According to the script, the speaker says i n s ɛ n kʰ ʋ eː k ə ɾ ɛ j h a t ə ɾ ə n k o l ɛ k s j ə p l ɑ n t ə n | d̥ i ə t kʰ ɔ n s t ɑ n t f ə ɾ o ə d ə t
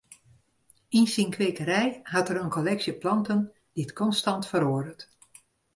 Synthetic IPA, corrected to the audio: i n s i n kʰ ʋ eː k ə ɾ ɛ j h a t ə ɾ ə n k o l ɛ k s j ə p l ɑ n t ə n | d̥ i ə t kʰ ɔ n s t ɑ n t f ə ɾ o ə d ə t